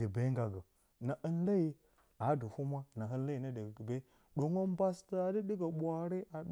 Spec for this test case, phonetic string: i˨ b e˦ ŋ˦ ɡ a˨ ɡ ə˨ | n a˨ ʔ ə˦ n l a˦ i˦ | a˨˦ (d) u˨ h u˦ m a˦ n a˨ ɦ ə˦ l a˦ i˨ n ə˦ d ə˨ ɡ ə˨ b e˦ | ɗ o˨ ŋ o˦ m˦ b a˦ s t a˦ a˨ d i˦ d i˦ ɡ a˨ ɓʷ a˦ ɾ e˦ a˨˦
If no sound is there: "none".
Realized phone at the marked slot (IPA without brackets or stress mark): d